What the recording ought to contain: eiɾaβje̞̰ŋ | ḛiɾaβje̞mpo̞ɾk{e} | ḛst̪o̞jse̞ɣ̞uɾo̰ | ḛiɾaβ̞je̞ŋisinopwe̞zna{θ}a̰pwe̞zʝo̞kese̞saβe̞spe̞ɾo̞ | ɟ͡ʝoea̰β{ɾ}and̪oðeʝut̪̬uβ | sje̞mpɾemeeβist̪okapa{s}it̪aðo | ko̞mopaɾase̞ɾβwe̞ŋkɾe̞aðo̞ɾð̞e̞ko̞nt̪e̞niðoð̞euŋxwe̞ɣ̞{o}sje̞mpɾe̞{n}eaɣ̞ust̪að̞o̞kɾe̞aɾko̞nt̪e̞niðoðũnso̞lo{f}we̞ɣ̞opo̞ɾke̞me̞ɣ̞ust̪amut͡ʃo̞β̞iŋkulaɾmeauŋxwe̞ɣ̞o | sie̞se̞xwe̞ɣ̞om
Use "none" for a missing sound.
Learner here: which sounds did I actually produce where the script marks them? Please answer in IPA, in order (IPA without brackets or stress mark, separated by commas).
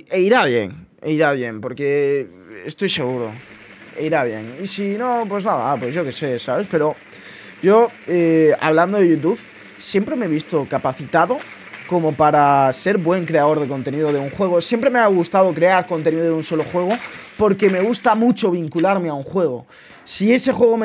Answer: e, ð, l, θ, o, m, x